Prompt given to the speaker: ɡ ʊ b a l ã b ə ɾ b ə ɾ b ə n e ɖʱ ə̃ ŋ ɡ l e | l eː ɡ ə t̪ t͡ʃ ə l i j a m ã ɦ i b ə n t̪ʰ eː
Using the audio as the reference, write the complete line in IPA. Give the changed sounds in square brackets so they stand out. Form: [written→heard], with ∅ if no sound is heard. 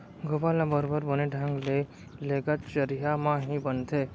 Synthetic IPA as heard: ɡ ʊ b a l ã b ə ɾ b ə ɾ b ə n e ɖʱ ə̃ ŋ ɡ l e | l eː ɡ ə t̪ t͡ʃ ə [l→ɾ] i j a m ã ɦ i b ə n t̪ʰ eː